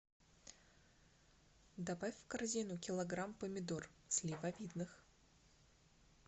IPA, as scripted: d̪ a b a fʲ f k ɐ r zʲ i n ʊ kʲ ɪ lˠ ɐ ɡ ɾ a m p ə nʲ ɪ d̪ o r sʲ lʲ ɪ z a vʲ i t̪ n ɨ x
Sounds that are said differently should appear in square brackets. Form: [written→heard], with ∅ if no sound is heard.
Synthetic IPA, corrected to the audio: d̪ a b a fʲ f k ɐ r zʲ i n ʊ kʲ ɪ lˠ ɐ ɡ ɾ a m p ə [nʲ→mʲ] ɪ d̪ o r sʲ lʲ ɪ [z→v] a vʲ i [t̪→d̪] n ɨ x